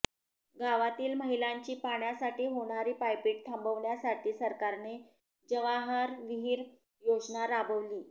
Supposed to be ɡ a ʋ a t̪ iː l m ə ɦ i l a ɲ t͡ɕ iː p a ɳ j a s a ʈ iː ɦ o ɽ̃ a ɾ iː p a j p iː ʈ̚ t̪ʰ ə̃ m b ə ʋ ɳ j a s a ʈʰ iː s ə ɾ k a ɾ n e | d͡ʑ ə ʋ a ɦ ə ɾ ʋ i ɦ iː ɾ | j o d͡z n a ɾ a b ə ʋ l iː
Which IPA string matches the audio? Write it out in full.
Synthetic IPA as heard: ɡ a ʋ a t̪ iː l m ə ɦ i l a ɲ t͡ɕ iː p a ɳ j a s a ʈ iː ɦ o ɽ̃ a ɾ iː p a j p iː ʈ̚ t̪ʰ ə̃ m b ə ʋ ɳ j a s a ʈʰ iː s ə ɾ k a ɾ n e | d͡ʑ ə ʋ a ɦ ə ɾ ʋ i ɦ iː ɾ | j o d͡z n a ɾ a b ə ʋ l iː